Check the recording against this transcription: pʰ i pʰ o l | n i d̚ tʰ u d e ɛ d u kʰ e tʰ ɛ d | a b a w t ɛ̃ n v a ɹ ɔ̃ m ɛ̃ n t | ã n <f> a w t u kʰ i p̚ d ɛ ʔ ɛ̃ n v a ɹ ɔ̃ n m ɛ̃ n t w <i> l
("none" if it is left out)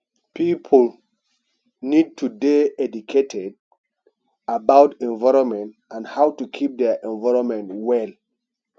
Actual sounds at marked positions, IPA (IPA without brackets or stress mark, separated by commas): h, ɛ